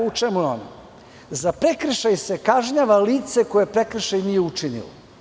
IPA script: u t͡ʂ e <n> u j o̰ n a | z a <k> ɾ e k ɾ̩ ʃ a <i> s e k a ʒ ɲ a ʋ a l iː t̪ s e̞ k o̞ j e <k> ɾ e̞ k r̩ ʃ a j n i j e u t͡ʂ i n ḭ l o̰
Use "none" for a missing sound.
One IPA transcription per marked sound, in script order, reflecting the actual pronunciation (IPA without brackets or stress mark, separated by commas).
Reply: m, p, j, p